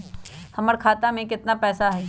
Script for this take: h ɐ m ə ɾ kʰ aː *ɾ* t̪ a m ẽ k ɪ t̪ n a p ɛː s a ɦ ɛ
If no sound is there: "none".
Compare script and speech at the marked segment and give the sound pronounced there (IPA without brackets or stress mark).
none